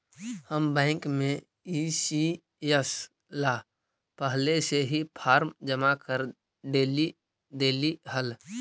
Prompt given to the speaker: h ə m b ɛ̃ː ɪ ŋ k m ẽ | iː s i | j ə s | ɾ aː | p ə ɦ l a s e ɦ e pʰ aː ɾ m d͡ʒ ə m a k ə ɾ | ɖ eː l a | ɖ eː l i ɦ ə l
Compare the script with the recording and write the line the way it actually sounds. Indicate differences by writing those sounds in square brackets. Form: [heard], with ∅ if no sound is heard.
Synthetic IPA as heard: h ə m b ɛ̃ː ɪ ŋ k m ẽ | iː s i | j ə s | [l] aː | p ə ɦ l [e] s e ɦ [i] pʰ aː ɾ m d͡ʒ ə m a k ə ɾ | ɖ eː l [i] | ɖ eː l i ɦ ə l